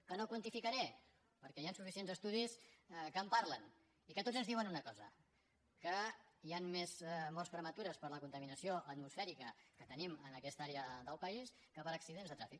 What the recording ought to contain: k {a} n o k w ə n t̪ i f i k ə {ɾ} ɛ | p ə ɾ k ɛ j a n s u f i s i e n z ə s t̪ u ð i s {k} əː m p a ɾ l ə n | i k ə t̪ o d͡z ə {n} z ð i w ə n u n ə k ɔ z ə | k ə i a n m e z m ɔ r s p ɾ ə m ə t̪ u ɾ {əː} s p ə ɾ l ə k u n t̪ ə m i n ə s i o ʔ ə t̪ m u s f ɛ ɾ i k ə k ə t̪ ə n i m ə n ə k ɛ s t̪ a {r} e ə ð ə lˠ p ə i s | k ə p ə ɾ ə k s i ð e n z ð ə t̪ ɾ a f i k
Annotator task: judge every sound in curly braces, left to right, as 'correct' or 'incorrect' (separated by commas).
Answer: incorrect, correct, correct, correct, incorrect, incorrect